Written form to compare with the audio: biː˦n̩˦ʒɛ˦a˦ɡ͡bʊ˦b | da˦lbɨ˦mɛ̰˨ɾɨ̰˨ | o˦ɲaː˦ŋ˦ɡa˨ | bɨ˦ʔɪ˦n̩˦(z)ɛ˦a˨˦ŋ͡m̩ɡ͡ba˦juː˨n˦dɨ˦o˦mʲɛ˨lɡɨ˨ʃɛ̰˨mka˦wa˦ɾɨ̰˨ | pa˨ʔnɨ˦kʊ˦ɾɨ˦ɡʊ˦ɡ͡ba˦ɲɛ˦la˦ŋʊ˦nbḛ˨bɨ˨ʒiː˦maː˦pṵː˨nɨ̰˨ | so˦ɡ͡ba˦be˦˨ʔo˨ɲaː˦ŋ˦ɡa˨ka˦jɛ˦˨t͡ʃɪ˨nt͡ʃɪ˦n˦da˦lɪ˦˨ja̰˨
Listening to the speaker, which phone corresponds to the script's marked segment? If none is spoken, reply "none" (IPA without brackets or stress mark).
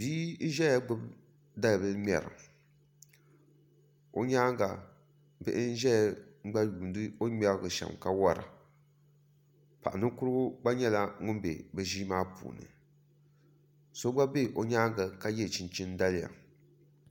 ʒ